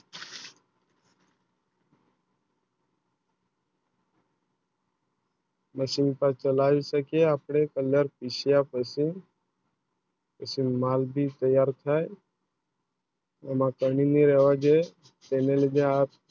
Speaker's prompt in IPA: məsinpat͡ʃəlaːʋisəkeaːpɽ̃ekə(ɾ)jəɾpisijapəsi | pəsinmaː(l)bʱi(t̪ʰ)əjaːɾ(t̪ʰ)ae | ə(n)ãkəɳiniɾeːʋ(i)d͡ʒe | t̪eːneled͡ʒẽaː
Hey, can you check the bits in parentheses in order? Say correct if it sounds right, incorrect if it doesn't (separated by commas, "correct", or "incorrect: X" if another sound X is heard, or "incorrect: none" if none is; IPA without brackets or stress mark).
incorrect: l, correct, incorrect: t̪, correct, incorrect: m, incorrect: a